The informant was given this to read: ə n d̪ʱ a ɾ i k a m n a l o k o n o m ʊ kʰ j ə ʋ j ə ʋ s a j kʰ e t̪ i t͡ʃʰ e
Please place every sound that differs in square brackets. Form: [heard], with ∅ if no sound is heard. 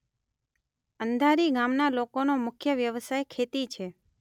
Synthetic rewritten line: ə n d̪ʱ a ɾ i [ɡ] a m n a l o k o n o m ʊ kʰ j ə ʋ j ə ʋ s a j kʰ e t̪ i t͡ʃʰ e